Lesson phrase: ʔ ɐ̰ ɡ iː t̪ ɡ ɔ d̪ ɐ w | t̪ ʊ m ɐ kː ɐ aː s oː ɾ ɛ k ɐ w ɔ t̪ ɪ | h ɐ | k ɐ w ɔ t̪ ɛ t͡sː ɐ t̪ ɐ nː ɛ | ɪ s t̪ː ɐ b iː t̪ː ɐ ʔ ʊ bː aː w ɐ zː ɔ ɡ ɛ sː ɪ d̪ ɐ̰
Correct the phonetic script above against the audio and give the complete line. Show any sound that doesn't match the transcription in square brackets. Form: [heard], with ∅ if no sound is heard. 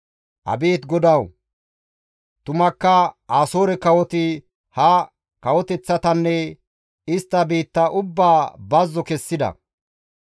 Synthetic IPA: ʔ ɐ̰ [b] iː t̪ ɡ ɔ d̪ ɐ w | t̪ ʊ m ɐ kː ɐ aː s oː ɾ ɛ k ɐ w ɔ t̪ ɪ | h ɐ | k ɐ w ɔ t̪ ɛ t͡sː ɐ t̪ ɐ nː ɛ | ɪ s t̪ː ɐ b iː t̪ː ɐ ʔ ʊ bː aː [b] ɐ zː ɔ [k] ɛ sː ɪ d̪ ɐ̰

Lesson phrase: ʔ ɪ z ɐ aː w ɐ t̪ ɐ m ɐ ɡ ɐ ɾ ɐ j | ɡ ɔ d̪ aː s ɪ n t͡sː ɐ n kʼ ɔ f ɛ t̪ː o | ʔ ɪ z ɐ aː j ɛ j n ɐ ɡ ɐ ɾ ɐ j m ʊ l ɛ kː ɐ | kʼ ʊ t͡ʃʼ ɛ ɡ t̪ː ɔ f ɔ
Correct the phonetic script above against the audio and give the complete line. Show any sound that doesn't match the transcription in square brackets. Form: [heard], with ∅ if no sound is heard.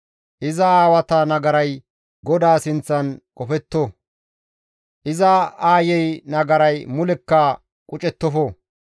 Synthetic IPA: ʔ ɪ z ɐ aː w ɐ t̪ ɐ [n] ɐ ɡ ɐ ɾ ɐ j | ɡ ɔ d̪ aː s ɪ n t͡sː ɐ n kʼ ɔ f ɛ t̪ː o | ʔ ɪ z ɐ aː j ɛ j n ɐ ɡ ɐ ɾ ɐ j m ʊ l ɛ kː ɐ | kʼ ʊ t͡ʃʼ ɛ [∅] t̪ː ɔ f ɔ

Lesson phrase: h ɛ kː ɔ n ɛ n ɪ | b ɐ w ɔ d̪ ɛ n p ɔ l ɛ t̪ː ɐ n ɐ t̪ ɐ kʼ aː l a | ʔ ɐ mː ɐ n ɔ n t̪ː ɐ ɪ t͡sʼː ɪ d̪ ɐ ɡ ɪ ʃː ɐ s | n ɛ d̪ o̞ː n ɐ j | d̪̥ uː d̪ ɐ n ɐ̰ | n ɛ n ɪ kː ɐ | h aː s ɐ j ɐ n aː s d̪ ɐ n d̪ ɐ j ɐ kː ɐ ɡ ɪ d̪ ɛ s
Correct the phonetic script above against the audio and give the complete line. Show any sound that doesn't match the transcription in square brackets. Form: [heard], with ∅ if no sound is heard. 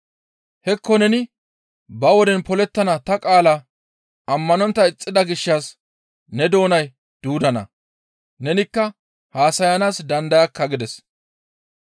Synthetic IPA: h ɛ kː ɔ n ɛ n ɪ | b ɐ w ɔ d̪ ɛ n p ɔ l ɛ t̪ː ɐ n ɐ t̪ ɐ kʼ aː l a | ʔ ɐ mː ɐ n ɔ n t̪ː ɐ ɪ t͡sʼː ɪ d̪ ɐ ɡ ɪ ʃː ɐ s | n ɛ d̪ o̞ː n ɐ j | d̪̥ uː d̪ ɐ n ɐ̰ | n ɛ n ɪ kː ɐ | h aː s ɐ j ɐ n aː s d̪ ɐ n d̪ ɐ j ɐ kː ɐ ɡ ɪ d̪ ɛ s

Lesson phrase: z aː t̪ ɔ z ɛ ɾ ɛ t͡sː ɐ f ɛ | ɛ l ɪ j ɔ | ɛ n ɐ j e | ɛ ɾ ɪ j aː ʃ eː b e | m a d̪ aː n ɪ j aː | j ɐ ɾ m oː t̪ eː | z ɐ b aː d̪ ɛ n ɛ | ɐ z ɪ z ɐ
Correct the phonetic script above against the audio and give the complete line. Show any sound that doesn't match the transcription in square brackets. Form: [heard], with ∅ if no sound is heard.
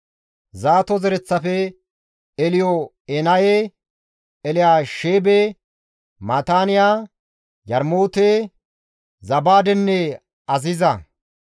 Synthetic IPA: z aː t̪ ɔ z ɛ ɾ ɛ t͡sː ɐ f ɛ | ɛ l ɪ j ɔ | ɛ n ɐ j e | ɛ [l] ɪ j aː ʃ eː b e | m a [t̪] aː n ɪ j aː | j ɐ ɾ m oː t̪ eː | z ɐ b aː d̪ ɛ [nː] ɛ | ɐ z ɪ z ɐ

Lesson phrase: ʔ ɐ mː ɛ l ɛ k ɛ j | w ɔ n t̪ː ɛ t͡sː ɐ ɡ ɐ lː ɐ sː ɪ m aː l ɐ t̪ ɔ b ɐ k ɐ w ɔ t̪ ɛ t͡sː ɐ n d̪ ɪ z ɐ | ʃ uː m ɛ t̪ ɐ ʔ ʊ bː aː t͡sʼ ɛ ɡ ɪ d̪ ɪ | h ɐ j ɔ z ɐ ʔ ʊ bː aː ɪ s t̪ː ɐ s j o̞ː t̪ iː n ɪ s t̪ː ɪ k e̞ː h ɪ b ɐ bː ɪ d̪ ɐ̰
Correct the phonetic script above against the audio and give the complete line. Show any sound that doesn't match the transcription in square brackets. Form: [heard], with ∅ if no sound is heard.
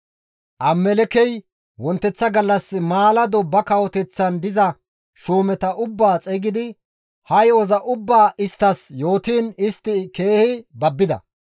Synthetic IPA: ʔ ɐ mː ɛ l ɛ k ɛ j | w ɔ n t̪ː ɛ t͡sː ɐ ɡ ɐ lː ɐ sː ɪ m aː l ɐ [d̪] ɔ b ɐ k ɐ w ɔ t̪ ɛ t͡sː ɐ n d̪ ɪ z ɐ | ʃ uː m ɛ t̪ ɐ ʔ ʊ bː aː t͡sʼ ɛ ɡ ɪ d̪ ɪ | h ɐ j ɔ z ɐ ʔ ʊ bː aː ɪ s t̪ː ɐ s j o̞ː t̪ iː n ɪ s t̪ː ɪ k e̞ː h ɪ b ɐ bː ɪ d̪ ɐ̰

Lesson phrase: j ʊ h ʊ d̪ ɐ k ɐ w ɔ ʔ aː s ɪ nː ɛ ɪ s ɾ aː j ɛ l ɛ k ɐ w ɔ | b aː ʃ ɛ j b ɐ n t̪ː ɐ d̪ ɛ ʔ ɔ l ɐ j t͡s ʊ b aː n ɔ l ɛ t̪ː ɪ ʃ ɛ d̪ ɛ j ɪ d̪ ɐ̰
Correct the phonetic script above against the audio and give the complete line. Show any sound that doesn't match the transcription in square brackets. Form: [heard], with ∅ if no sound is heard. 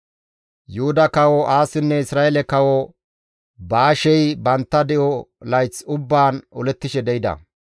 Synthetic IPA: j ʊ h ʊ d̪ ɐ k ɐ w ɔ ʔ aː s ɪ nː ɛ ɪ s ɾ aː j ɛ l ɛ k ɐ w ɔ | b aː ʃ ɛ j b ɐ n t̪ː ɐ d̪ ɛ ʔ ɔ l ɐ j t͡s ʊ [bː] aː n ɔ l ɛ t̪ː ɪ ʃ ɛ d̪ ɛ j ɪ d̪ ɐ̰

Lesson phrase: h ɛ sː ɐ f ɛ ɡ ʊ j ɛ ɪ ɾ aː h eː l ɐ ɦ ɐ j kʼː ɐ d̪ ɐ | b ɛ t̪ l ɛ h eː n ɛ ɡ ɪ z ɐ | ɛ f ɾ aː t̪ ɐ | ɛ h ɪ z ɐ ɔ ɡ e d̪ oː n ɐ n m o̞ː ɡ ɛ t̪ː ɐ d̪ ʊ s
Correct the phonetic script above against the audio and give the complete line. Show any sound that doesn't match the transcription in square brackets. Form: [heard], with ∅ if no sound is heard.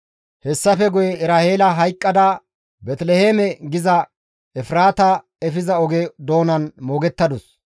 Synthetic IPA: h ɛ sː ɐ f ɛ ɡ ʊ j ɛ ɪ ɾ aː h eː l ɐ ɦ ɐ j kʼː ɐ d̪ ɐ | b ɛ t̪ l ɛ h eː [m] ɛ ɡ ɪ z ɐ | ɛ f ɾ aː t̪ ɐ | ɛ [f] ɪ z ɐ ɔ ɡ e d̪ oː n ɐ n m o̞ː ɡ ɛ t̪ː ɐ d̪ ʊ s

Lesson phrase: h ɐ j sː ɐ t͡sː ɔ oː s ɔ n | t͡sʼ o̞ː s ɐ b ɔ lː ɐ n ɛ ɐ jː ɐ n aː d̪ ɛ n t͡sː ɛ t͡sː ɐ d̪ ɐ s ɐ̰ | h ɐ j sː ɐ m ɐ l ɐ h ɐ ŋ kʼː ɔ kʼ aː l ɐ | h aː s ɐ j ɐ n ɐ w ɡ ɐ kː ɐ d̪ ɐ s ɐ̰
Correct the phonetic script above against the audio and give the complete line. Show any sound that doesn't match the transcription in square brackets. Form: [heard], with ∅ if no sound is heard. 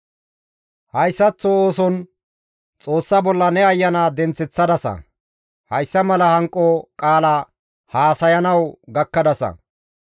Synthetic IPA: h ɐ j sː ɐ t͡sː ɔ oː s ɔ n | t͡sʼ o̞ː [sː] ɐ b ɔ lː ɐ n ɛ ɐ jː ɐ n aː d̪ ɛ n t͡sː ɛ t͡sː ɐ d̪ ɐ s ɐ̰ | h ɐ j sː ɐ m ɐ l ɐ h ɐ ŋ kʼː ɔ kʼ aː l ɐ | h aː s ɐ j ɐ n ɐ w ɡ ɐ kː ɐ d̪ ɐ s ɐ̰

